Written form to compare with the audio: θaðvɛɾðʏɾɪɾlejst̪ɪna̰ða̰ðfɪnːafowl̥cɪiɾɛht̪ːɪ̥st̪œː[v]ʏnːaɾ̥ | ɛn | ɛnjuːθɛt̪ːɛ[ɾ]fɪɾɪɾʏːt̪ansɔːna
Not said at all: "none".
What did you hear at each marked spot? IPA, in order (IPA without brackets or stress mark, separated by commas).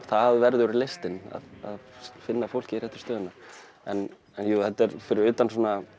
ð, ɾ